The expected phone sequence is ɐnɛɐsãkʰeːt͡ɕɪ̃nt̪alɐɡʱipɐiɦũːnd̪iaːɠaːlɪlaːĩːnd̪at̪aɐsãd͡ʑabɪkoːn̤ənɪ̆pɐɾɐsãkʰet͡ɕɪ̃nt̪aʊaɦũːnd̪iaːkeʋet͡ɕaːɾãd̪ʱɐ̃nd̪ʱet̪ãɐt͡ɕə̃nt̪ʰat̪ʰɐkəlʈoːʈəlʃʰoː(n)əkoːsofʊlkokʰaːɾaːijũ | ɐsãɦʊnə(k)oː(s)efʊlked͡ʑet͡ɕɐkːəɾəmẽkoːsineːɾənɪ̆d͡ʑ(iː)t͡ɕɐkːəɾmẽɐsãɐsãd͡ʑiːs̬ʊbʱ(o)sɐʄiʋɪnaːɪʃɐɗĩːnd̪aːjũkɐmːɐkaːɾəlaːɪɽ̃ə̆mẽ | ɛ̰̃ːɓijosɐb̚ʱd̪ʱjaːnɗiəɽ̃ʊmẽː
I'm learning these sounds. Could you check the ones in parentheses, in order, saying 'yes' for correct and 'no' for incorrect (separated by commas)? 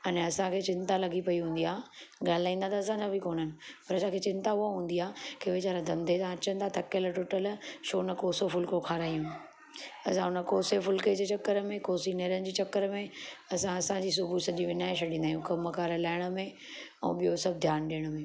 yes, yes, yes, yes, no